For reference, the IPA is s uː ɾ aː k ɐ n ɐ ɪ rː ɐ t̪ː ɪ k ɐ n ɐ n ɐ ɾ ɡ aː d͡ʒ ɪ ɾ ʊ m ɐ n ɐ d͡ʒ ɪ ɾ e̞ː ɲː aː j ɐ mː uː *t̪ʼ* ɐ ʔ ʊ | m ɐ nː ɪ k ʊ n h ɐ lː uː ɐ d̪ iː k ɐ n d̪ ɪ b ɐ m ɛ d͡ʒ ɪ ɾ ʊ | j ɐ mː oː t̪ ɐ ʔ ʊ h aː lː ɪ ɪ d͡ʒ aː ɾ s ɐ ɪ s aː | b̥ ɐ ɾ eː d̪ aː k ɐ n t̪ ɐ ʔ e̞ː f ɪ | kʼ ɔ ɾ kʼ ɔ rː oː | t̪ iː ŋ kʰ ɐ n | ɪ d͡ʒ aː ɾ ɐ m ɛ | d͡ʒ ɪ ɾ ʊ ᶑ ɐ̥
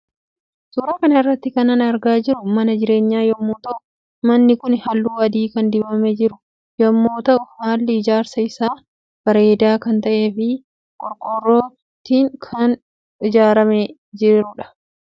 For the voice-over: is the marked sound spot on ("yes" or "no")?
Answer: no